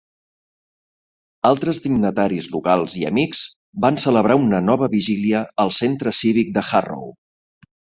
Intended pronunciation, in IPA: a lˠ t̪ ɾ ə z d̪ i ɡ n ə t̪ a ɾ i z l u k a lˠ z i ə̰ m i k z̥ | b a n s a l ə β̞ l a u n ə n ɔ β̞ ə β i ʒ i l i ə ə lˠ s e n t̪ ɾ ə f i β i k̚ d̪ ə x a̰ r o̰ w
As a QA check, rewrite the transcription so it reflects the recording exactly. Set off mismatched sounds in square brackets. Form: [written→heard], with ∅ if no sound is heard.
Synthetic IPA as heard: a lˠ t̪ ɾ ə z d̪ i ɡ n ə t̪ a ɾ i z l u k a lˠ z i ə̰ m i k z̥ | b a n s [a→ə] l ə β̞ [l→ɾ] a u n ə n ɔ β̞ ə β i ʒ i l i ə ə lˠ s e n t̪ ɾ ə [f→s] i β i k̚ d̪ ə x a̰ r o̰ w